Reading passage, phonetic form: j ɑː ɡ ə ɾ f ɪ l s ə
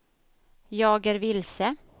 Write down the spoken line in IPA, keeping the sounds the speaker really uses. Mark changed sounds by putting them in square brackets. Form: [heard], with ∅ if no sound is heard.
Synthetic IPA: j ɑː ɡ ə ɾ [v] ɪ l s ə